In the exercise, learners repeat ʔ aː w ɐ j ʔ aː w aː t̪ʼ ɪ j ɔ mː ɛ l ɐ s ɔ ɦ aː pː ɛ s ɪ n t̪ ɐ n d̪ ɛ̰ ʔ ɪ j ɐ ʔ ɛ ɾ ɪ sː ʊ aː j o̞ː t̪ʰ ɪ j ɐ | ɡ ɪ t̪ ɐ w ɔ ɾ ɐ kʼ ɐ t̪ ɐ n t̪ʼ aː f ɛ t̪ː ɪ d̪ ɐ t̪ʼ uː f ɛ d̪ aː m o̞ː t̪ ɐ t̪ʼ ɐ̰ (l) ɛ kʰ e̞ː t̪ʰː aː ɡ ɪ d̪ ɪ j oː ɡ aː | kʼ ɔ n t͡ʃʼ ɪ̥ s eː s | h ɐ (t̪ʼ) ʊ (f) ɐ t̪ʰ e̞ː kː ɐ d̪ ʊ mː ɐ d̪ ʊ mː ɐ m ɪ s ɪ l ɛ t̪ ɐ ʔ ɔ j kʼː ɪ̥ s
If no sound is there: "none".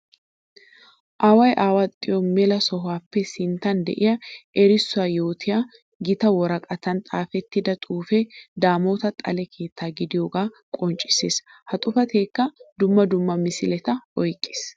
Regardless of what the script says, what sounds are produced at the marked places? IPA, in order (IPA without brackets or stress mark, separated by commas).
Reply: l, t̪ʼ, f